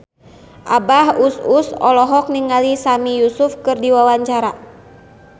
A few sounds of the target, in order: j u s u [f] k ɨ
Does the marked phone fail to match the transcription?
no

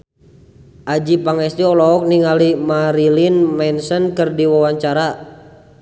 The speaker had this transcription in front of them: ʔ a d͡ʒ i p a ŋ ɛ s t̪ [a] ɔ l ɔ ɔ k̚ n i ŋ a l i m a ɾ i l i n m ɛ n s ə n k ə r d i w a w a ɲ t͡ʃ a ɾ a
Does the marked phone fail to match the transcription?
yes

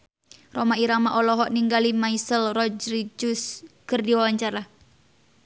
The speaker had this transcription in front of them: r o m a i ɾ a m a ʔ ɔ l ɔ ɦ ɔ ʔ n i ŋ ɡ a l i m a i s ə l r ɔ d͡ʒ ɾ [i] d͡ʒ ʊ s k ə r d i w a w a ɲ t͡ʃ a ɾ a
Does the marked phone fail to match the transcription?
no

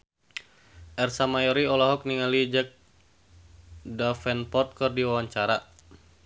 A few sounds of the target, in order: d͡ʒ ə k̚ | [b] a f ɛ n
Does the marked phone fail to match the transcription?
yes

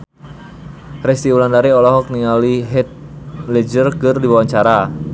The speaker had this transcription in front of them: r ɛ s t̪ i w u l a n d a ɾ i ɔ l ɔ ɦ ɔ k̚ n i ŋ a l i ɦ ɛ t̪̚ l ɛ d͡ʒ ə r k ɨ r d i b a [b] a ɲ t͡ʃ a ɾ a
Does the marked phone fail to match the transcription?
yes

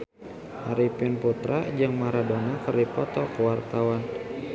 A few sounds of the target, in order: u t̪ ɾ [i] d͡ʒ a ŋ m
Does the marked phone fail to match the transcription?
yes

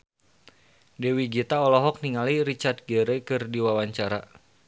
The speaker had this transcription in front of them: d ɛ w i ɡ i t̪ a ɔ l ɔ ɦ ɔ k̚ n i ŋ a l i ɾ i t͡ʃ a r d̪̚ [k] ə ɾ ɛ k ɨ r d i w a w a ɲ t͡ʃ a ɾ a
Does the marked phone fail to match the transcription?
yes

